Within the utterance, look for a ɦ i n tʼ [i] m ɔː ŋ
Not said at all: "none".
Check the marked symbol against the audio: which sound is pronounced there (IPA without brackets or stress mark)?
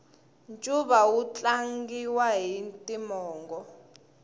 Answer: i